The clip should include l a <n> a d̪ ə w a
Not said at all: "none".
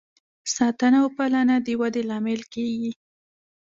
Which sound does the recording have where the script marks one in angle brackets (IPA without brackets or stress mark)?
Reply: n